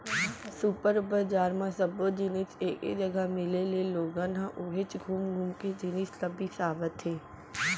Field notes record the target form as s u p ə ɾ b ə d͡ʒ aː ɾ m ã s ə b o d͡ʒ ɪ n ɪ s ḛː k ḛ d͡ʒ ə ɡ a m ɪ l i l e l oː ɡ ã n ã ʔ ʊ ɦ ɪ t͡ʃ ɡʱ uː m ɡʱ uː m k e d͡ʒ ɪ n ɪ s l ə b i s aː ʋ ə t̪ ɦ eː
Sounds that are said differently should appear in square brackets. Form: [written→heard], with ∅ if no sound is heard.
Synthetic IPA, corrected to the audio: s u p ə ɾ b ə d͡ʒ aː ɾ m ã s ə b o d͡ʒ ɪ n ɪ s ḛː k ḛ d͡ʒ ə ɡ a m ɪ l [i→e] l e l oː ɡ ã n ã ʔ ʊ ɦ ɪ t͡ʃ ɡʱ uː m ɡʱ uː m k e d͡ʒ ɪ n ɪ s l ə b i s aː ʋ ə t̪ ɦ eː